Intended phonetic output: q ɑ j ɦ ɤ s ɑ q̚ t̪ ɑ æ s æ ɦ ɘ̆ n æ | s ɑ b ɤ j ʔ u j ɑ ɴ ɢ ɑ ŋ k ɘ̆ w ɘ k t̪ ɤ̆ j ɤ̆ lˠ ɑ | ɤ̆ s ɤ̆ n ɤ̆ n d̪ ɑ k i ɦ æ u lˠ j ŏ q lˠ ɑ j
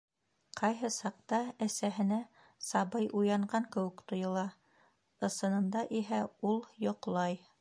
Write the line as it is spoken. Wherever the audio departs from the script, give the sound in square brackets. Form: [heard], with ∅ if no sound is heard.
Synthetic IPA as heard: q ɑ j ɦ ɤ s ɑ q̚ t̪ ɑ æ s æ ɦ ɘ̆ n æ | s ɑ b ɤ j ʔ u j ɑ ɴ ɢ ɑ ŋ k ɘ̆ w ɘ k t̪ [ŏ] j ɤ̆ lˠ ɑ | ɤ̆ s ɤ̆ n ɤ̆ n d̪ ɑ [ʔ] i ɦ æ u lˠ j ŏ q lˠ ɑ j